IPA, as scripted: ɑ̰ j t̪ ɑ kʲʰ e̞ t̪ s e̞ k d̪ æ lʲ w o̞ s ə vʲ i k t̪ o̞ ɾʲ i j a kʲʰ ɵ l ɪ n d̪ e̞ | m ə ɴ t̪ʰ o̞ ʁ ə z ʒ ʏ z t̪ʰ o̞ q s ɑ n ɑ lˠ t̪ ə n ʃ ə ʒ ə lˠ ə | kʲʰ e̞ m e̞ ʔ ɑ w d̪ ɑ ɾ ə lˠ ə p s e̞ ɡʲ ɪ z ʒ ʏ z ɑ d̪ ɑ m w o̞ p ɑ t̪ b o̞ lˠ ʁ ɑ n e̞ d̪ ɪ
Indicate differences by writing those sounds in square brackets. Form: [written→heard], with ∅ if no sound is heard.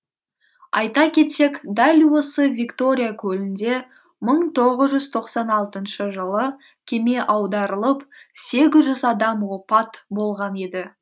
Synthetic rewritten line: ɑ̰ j t̪ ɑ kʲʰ e̞ t̪ s e̞ k d̪ æ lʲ w o̞ s ə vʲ i k t̪ o̞ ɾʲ i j a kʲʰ ɵ l ɪ n d̪ e̞ | m ə ɴ t̪ʰ o̞ ʁ ə z ʒ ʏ z t̪ʰ o̞ q s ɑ n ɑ lˠ t̪ ə n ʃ ə ʒ ə lˠ ə | kʲʰ e̞ m e̞ ʔ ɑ w d̪ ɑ ɾ ə lˠ ə p s e̞ ɡʲ ɪ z ʒ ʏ z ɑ d̪ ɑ m w o̞ p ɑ t̪ b o̞ lˠ ʁ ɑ n e̞ d̪ ɪ